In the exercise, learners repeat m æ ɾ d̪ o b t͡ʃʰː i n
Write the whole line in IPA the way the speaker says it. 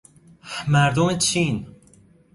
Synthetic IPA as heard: m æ ɾ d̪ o m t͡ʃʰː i n